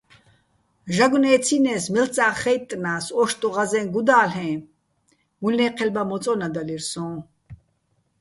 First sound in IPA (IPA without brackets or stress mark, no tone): ʒ